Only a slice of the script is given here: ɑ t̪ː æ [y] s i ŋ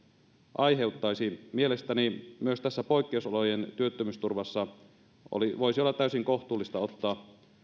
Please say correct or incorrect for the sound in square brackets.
correct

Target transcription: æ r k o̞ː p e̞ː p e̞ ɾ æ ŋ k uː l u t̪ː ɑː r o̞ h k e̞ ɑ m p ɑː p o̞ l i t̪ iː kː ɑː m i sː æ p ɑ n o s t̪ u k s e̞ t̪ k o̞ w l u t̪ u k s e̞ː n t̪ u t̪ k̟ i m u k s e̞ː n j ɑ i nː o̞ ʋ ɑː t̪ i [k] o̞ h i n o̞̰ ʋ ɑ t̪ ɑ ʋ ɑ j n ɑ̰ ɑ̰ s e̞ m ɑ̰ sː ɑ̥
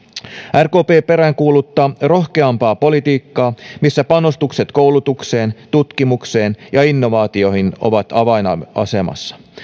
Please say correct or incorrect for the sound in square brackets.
incorrect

